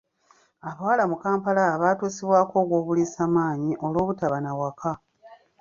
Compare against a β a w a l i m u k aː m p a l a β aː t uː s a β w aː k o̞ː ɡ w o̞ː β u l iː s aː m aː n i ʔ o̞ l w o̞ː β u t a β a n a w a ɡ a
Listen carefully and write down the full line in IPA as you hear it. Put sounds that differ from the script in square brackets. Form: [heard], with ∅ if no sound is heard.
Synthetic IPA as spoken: a β a w a l [a] m u k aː m p a l a β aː t uː s [i] β w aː k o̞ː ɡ w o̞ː β u l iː s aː m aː [ɲ] i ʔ o̞ l w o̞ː β u t a β a n a w a [k] a